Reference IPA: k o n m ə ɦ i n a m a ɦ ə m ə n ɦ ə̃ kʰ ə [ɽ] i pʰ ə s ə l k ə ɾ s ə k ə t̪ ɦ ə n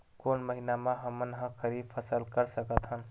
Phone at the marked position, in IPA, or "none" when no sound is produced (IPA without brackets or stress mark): ɾ